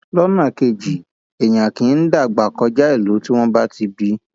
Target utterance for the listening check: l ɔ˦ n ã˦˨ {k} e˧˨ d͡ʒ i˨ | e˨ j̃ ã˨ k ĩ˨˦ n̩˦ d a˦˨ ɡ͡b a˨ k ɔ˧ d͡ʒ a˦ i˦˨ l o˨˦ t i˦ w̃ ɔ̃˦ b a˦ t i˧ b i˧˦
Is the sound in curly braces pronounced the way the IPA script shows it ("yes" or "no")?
yes